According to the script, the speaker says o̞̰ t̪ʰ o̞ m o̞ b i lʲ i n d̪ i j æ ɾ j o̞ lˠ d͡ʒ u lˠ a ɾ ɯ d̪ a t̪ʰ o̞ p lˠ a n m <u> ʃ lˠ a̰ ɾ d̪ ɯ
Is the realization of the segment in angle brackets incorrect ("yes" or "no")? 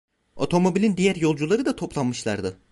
yes